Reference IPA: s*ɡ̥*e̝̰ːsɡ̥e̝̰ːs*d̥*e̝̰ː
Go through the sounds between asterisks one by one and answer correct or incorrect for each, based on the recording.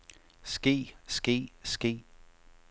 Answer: correct, incorrect: ɡ̥

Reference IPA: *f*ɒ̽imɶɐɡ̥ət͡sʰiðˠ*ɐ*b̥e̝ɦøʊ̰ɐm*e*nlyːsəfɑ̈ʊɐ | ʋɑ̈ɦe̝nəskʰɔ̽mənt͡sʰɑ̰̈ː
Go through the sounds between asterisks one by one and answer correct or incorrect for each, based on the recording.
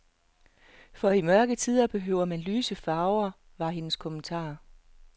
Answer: correct, correct, incorrect: æ

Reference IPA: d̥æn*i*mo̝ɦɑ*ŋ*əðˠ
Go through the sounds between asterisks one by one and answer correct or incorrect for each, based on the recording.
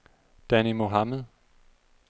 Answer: correct, incorrect: m

